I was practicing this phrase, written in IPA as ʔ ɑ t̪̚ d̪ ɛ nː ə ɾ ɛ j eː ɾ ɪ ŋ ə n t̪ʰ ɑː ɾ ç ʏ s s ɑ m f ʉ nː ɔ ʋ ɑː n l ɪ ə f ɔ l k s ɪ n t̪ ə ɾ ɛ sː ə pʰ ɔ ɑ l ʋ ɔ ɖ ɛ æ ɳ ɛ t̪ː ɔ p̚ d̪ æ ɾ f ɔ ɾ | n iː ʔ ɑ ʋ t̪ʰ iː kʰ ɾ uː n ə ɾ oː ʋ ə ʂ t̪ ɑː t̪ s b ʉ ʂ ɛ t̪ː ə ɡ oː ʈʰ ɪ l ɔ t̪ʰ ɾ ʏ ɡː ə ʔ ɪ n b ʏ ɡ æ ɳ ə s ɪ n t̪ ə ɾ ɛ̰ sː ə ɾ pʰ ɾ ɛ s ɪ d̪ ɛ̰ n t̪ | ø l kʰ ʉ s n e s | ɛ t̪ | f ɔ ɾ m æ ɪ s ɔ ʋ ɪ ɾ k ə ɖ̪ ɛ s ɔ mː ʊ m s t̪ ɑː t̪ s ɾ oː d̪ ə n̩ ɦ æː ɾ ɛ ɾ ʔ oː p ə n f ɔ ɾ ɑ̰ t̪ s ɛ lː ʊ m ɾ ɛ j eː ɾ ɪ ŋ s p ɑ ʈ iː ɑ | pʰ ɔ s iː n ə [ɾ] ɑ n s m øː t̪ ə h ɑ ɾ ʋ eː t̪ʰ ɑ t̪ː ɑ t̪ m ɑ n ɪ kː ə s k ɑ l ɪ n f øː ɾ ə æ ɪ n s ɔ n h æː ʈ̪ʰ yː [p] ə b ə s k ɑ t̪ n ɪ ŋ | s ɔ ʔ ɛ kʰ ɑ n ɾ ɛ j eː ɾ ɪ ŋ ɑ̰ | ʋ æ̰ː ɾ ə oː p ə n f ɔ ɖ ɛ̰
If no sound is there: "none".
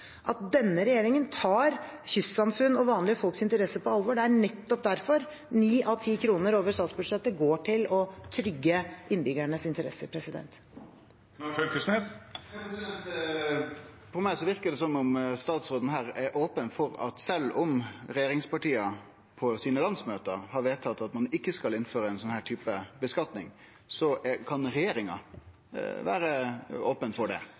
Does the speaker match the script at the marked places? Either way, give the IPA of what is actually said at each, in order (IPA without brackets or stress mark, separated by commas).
l, p